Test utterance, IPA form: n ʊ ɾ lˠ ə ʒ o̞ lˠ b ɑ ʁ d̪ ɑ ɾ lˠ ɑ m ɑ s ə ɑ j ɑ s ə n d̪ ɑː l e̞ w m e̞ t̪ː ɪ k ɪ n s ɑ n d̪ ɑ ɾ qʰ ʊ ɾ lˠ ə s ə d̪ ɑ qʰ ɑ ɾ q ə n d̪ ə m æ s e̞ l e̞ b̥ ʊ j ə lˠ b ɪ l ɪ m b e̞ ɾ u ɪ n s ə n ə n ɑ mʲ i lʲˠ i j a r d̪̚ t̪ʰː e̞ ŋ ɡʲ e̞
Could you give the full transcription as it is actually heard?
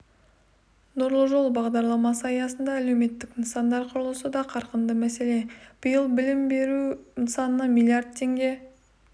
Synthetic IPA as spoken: n ʊ ɾ lˠ ə ʒ o̞ lˠ b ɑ ʁ d̪ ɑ ɾ lˠ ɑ m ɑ s ə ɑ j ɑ s ə n d̪ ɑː l e̞ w m e̞ t̪ː ɪ k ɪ n s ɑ n d̪ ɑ ɾ qʰ ʊ ɾ lˠ ə s ə d̪ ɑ qʰ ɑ ɾ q ə n d̪ ə m æ s e̞ l e̞ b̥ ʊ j ə lˠ b ɪ l ɪ m b e̞ ɾ u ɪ n s ɑ n ə n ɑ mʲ i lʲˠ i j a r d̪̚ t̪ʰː e̞ ŋ ɡʲ e̞